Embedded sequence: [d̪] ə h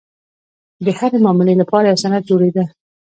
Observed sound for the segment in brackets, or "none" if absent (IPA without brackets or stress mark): d̪